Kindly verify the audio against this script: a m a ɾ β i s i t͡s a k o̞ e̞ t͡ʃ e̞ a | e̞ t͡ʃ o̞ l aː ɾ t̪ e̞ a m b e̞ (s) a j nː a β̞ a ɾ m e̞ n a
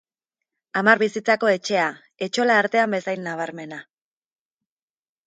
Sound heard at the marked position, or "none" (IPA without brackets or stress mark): s